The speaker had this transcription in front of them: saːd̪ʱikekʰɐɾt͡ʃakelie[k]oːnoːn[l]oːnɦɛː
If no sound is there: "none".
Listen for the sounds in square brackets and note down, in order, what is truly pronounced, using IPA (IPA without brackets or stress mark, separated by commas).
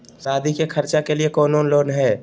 k, l